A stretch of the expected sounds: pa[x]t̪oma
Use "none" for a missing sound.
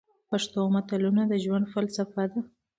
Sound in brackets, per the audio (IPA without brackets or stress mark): ʂ